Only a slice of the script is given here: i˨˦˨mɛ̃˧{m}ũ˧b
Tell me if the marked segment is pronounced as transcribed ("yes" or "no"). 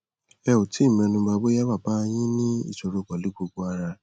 no